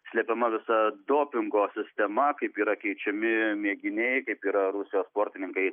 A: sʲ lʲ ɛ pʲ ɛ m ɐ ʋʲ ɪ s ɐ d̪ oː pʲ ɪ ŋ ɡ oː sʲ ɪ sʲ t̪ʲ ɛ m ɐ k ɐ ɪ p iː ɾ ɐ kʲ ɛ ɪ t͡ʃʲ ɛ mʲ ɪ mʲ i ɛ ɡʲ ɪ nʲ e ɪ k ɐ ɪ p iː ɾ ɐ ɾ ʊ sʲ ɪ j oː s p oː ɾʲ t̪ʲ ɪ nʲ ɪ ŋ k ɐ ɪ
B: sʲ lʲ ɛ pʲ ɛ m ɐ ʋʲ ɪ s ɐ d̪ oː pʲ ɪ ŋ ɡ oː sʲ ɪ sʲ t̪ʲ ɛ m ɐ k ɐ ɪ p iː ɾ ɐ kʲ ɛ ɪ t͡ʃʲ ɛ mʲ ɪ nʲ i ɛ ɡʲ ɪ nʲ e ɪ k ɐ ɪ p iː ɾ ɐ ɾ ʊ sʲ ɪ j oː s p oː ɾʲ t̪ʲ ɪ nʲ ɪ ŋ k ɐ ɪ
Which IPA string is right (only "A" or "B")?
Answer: A